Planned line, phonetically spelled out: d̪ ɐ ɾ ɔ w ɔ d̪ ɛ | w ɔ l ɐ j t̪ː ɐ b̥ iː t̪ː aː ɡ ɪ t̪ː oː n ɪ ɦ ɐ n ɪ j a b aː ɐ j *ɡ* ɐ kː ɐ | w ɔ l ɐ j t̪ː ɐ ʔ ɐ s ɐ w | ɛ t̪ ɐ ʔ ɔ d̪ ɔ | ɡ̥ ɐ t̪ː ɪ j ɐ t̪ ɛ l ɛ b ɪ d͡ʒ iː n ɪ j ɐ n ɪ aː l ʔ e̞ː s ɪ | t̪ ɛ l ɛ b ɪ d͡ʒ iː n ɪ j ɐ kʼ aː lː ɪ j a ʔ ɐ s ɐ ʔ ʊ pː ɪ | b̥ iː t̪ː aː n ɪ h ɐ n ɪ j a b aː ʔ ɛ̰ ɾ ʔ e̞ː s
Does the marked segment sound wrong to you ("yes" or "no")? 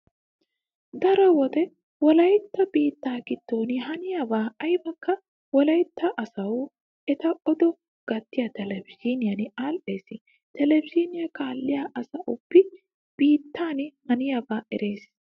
yes